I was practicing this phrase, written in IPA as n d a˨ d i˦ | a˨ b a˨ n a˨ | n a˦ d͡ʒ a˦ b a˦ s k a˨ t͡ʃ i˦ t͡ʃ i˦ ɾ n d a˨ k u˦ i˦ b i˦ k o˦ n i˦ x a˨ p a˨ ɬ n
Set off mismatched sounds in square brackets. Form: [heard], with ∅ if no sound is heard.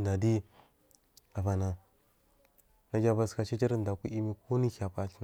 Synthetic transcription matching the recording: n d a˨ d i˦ | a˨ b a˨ n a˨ | n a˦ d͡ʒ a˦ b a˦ s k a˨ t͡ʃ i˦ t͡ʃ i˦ ɾ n d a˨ k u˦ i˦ [m] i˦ k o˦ n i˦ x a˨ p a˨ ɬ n